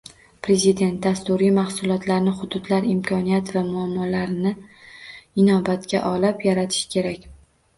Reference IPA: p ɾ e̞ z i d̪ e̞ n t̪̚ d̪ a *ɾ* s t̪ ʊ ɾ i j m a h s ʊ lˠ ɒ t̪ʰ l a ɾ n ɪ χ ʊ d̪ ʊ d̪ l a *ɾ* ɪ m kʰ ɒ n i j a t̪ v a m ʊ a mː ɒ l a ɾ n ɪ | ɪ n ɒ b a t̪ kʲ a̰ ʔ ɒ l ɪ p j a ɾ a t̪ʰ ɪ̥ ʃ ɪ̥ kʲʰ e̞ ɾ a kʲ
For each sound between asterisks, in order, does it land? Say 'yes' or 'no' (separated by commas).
no, yes